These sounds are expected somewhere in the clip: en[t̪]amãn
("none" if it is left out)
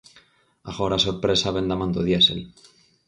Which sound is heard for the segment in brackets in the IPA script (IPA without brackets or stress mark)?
d̪